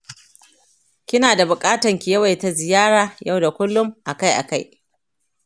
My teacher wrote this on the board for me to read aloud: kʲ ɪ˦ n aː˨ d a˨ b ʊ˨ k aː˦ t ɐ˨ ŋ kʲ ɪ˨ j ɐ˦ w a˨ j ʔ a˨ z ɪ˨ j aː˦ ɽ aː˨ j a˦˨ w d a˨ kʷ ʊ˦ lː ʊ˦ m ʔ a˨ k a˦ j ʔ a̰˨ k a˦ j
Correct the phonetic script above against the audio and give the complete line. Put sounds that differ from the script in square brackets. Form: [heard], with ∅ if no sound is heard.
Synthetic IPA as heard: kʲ ɪ˦ n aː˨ d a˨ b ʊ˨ [kʼ] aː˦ t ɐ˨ ŋ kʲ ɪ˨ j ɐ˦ w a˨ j [t] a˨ z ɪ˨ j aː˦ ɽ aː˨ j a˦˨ w d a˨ kʷ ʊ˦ lː ʊ˦ m ʔ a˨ k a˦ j ʔ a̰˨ k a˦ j